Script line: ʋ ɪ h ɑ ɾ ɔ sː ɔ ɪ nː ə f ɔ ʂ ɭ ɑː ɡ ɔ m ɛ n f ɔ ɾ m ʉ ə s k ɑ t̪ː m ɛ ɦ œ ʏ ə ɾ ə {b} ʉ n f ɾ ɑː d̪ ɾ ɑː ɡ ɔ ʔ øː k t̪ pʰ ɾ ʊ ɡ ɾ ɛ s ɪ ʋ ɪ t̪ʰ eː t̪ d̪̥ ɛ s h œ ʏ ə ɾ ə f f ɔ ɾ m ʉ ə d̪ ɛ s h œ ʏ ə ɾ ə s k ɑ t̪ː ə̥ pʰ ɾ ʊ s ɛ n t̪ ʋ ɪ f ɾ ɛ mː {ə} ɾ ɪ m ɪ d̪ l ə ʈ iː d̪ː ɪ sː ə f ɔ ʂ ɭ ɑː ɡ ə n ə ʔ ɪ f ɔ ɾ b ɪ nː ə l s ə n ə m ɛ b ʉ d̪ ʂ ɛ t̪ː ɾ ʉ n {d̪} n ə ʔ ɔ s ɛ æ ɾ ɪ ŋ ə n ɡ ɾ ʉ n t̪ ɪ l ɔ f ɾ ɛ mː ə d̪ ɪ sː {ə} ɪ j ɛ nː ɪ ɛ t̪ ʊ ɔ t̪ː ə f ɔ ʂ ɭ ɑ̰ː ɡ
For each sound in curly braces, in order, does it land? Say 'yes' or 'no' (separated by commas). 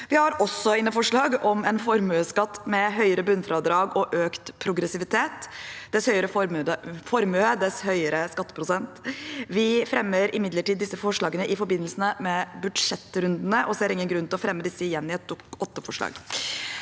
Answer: yes, yes, yes, yes